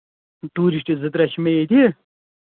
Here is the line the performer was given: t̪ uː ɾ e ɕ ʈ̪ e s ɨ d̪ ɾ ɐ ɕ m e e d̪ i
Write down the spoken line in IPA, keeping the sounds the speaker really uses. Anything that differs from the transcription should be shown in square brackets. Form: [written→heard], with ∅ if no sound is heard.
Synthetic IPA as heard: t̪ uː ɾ [e→i] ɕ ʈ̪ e [s→z] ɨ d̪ ɾ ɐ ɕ m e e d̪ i